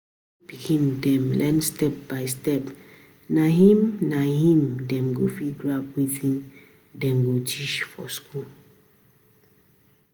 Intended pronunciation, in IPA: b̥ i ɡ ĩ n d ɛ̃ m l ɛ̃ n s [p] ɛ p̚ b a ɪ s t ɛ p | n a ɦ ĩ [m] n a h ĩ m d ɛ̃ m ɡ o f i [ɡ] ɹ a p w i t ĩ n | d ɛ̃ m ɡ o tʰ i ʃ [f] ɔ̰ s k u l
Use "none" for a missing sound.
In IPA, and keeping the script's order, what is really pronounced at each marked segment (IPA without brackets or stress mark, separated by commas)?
t, m, ɡ, f